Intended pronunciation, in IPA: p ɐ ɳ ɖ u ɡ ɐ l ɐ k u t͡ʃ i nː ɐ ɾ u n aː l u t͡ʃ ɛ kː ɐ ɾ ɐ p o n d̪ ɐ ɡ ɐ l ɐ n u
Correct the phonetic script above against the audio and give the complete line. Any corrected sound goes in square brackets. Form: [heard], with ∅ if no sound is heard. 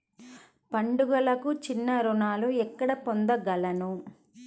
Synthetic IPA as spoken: p ɐ ɳ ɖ u ɡ ɐ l ɐ k u t͡ʃ i nː ɐ ɾ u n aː l u [∅] ɛ kː ɐ [ɽ] ɐ p o n d̪ ɐ ɡ ɐ l ɐ n u